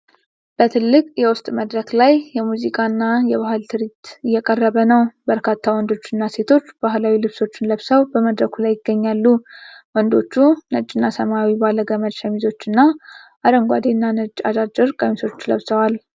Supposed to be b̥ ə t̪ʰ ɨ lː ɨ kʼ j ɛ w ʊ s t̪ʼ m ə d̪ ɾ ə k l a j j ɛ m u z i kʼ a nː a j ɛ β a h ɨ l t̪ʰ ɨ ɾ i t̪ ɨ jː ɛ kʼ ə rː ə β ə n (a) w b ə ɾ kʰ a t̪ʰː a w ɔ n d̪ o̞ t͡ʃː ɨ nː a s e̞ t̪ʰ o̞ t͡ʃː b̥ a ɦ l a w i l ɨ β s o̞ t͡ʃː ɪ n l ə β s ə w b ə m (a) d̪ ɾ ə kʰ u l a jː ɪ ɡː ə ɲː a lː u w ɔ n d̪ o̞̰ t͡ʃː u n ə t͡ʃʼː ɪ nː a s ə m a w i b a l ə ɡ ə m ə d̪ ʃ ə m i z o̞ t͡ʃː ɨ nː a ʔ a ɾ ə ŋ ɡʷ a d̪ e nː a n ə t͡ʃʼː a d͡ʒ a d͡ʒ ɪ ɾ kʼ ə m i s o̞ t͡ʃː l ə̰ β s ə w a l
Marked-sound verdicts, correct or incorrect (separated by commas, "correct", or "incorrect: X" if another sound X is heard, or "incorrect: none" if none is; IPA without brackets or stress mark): incorrect: ə, incorrect: ə